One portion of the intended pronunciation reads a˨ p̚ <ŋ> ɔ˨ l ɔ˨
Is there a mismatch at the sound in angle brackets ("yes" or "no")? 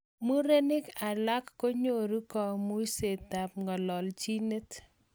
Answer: no